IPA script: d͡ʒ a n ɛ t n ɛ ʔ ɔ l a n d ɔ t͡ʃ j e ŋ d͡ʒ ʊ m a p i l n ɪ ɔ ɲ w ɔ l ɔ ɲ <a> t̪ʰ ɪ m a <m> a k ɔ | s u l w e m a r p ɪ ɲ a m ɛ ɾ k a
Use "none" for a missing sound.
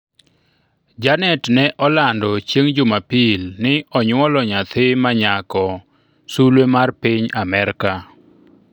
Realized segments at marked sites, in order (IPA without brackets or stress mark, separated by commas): a, ɲ